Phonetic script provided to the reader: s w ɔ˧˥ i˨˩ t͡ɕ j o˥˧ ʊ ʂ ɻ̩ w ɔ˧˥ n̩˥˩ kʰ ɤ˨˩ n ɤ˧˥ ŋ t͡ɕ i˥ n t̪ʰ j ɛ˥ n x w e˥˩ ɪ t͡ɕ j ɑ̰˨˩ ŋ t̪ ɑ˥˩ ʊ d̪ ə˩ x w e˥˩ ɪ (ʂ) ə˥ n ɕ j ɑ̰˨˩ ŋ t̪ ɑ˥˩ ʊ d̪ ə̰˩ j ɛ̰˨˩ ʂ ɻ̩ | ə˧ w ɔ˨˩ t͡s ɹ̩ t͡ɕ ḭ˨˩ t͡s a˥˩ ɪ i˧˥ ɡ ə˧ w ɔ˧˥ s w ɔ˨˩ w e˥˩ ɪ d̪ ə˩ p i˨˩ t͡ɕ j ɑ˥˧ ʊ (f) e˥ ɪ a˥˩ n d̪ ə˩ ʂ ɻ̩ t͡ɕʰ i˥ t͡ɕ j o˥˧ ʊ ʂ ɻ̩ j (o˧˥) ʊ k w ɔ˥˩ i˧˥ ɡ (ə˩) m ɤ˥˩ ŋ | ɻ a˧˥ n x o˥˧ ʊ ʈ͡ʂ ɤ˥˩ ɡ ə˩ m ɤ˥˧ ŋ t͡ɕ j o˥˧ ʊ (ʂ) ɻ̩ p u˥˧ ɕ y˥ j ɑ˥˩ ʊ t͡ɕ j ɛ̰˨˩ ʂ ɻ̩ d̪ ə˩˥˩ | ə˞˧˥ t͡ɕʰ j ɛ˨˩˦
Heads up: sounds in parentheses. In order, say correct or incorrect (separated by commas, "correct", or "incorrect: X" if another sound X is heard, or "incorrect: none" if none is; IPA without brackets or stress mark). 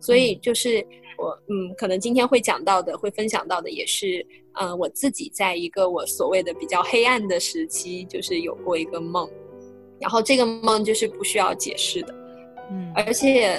incorrect: f, incorrect: x, incorrect: o˨˩, incorrect: ə˧, correct